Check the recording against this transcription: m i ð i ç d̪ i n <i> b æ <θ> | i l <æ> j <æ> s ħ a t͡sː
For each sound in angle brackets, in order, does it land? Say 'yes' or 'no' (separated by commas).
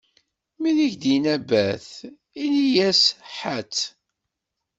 no, yes, no, yes